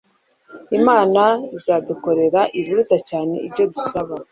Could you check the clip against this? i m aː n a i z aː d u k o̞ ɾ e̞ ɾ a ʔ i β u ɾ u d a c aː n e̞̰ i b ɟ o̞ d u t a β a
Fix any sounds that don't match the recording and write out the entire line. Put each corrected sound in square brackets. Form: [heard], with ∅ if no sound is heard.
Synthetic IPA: i m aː n a i z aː d u k o̞ ɾ e̞ ɾ a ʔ i β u ɾ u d a c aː n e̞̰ i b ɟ o̞ d u [s] a β a